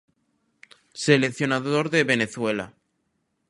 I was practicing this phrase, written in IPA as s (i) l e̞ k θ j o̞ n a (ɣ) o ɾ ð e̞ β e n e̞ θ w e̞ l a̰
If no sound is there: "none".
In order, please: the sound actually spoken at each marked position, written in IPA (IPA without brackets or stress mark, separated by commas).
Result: e, ð